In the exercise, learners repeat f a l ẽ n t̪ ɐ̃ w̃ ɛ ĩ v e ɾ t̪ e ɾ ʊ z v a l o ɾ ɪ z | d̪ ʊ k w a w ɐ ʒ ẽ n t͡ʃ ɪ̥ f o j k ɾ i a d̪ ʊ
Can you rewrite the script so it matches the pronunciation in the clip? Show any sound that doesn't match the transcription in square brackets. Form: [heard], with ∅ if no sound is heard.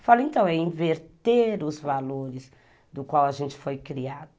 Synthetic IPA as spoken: f a l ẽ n t̪ ɐ̃ w̃ ɛ ĩ v e ɾ t̪ e ɾ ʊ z v a l o ɾ ɪ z | d̪ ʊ k w a w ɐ ʒ ẽ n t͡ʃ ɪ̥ f o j k ɾ i a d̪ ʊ